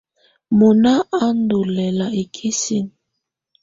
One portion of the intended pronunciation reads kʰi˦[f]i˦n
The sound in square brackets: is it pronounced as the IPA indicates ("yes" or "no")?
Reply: no